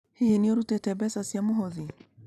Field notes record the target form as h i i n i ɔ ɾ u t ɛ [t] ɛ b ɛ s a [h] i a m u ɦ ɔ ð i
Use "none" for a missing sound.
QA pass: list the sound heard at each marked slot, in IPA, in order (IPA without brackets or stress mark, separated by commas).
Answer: t, s